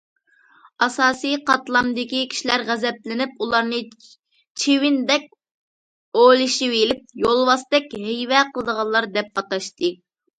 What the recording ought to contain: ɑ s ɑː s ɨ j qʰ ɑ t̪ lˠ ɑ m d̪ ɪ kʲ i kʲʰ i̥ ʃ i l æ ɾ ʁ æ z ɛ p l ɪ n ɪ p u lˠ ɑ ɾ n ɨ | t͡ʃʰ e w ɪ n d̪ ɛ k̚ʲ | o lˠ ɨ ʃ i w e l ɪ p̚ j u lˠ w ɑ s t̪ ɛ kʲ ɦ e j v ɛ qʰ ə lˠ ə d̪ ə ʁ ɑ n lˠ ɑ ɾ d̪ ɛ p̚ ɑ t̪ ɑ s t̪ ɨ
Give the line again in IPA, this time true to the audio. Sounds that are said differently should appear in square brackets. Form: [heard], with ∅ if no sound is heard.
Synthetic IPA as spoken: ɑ s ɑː s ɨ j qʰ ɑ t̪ lˠ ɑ m d̪ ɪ kʲ i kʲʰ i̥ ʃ i l æ ɾ ʁ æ z ɛ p l ɪ n ɪ p u lˠ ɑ ɾ n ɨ | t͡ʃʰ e w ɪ n d̪ ɛ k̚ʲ | o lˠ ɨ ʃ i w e l ɪ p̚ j [o] lˠ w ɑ s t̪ ɛ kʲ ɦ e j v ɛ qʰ ə lˠ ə d̪ ə ʁ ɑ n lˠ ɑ ɾ d̪ ɛ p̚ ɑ t̪ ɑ [ʃ] t̪ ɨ